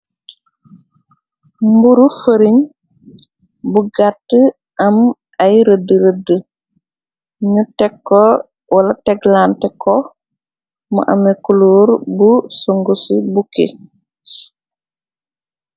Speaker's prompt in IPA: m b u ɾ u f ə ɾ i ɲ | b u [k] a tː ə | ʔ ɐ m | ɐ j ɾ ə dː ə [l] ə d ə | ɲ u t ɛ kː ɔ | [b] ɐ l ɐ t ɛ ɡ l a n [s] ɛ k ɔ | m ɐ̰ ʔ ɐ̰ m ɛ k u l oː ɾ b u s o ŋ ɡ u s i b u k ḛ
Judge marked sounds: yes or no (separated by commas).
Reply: no, no, no, no